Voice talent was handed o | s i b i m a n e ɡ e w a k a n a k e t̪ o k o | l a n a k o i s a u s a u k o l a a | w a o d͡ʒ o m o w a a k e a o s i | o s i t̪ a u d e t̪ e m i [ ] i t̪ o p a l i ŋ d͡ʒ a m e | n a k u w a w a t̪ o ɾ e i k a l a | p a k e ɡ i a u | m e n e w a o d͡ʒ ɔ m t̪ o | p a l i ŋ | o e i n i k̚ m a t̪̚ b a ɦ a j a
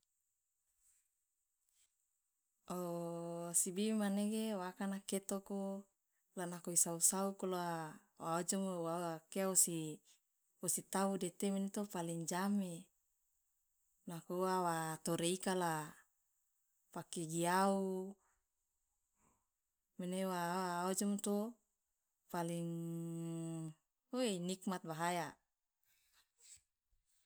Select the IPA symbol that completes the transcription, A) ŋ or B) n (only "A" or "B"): B